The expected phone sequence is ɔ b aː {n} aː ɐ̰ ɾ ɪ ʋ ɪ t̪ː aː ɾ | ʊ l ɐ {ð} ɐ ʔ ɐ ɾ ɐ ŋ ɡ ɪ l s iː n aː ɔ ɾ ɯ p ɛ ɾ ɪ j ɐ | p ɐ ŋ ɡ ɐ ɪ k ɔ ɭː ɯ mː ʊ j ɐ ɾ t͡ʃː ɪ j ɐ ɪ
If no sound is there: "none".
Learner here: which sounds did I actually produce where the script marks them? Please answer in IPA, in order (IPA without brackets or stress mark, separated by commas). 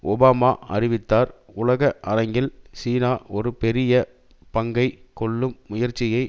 m, ɣ